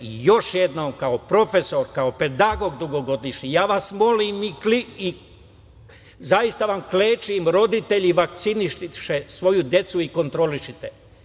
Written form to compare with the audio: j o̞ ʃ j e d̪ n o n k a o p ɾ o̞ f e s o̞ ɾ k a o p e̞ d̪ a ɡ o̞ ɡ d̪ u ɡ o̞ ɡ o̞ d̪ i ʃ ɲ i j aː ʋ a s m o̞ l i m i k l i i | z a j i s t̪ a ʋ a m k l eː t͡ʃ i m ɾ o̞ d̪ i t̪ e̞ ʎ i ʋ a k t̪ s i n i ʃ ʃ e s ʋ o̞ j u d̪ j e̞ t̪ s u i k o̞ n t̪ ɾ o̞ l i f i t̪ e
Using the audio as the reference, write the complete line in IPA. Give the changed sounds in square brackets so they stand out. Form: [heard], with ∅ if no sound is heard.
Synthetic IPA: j o̞ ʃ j e d̪ n o [m] k a o p ɾ o̞ f e s o̞ ɾ k a o p e̞ d̪ a ɡ o̞ ɡ d̪ u ɡ o̞ ɡ o̞ d̪ i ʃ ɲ i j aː ʋ a s m o̞ l i m i k l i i | z a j i s t̪ a ʋ a m k l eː t͡ʃ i m ɾ o̞ d̪ i t̪ e̞ ʎ i ʋ a k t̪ s i n i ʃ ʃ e s ʋ o̞ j u d̪ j e̞ t̪ s u i k o̞ n t̪ ɾ o̞ l i [ʃ] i t̪ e